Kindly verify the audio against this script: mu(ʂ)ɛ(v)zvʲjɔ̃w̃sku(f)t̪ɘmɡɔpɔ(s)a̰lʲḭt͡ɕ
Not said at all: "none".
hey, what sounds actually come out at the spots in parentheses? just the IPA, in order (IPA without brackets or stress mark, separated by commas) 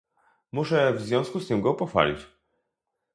ʂ, v, s, f